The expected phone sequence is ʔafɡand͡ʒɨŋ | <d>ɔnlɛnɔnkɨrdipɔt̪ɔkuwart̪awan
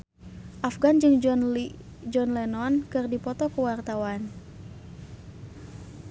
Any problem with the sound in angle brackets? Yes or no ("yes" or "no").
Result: yes